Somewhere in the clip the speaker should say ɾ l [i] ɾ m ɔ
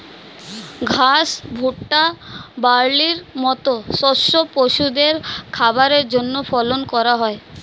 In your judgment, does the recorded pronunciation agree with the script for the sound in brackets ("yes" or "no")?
yes